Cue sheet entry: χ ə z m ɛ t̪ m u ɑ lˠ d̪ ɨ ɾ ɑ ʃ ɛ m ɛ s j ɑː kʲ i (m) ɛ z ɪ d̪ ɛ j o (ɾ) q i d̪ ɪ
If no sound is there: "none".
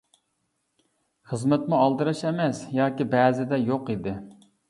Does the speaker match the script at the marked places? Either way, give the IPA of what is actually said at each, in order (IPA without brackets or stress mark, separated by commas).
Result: b, none